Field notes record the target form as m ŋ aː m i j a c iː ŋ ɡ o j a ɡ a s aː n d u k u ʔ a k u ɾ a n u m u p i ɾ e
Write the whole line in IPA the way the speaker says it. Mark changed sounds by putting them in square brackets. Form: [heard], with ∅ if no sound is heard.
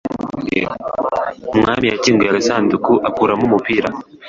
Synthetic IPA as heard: m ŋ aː m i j a c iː ŋ ɡ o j a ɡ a s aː n d u k u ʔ a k u ɾ a [m] u m u p i ɾ [a]